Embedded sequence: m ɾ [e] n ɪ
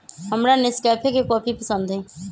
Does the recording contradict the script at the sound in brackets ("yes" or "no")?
yes